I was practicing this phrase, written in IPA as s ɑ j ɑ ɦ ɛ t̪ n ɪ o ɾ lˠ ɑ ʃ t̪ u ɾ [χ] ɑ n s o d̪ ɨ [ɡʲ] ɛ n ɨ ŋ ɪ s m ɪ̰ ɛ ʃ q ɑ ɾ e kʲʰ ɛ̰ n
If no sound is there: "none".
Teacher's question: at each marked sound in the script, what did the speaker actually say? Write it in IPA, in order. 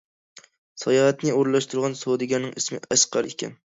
ʁ, ɡʲ

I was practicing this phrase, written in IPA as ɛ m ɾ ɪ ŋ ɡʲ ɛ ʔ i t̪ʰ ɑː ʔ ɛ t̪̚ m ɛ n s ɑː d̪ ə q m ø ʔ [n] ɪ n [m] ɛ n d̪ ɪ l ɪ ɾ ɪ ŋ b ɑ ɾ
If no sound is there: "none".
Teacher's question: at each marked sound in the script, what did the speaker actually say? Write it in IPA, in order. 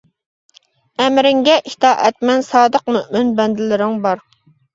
m, b

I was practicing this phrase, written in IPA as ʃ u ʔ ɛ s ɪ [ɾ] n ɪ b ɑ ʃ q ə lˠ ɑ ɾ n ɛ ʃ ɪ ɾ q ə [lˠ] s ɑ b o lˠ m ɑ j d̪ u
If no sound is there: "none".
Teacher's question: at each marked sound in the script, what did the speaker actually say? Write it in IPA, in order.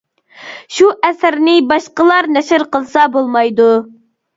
ɾ, lˠ

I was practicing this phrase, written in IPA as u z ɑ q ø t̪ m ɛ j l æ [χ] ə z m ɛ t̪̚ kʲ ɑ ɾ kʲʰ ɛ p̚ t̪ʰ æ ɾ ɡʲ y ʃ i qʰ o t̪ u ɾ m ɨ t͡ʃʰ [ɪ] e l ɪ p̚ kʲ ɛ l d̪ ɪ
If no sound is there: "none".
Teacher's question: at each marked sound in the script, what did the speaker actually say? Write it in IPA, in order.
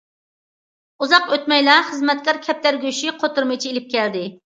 χ, i

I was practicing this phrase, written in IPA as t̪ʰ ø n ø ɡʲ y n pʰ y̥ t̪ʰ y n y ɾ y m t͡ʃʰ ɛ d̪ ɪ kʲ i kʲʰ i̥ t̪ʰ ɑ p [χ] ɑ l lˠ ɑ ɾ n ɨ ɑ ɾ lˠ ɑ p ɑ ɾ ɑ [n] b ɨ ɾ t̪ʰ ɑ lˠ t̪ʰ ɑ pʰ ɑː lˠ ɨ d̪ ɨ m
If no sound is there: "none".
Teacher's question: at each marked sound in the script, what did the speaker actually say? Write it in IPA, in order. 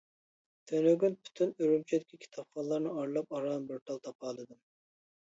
χ, n

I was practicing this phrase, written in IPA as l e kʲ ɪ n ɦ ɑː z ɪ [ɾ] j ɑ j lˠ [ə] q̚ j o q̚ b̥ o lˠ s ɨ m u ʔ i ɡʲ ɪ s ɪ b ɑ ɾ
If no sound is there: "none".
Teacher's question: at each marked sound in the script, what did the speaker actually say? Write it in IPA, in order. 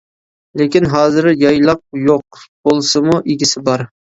ɾ, ɑ

